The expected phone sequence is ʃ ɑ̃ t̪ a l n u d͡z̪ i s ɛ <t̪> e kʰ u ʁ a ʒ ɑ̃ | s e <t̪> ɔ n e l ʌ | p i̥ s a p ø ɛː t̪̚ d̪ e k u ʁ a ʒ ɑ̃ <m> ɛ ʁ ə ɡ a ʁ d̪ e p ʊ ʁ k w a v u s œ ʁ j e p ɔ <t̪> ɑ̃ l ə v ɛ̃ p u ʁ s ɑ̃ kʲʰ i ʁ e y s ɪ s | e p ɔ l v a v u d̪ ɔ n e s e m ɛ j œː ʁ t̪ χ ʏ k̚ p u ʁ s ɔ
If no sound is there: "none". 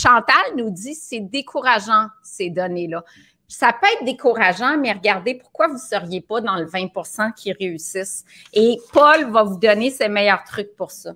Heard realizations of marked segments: d̪, d̪, m, d̪

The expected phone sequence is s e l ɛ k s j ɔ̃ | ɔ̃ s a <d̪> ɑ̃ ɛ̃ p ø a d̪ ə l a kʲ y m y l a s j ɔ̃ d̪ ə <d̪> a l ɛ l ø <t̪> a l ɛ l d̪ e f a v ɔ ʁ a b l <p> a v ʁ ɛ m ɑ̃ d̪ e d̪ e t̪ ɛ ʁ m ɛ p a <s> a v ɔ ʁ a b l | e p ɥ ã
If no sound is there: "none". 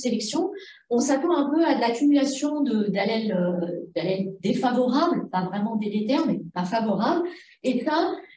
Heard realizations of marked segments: t̪, d̪, d̪, p, f

